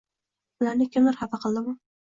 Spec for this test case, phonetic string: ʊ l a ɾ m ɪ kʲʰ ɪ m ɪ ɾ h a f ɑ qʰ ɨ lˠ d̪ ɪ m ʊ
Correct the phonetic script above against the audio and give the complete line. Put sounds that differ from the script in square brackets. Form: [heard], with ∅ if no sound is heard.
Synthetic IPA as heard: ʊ l a ɾ [n] ɪ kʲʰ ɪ m ɪ ɾ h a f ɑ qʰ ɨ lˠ d̪ ɪ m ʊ